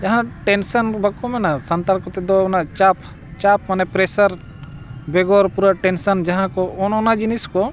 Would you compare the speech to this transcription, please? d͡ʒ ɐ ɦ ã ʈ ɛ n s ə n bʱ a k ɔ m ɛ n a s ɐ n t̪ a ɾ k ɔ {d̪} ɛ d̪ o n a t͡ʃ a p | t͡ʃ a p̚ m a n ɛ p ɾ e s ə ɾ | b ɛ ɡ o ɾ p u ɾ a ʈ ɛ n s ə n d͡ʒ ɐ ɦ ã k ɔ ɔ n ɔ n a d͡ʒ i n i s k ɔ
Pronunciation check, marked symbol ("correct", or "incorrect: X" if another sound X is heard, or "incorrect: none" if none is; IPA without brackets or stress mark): incorrect: t̪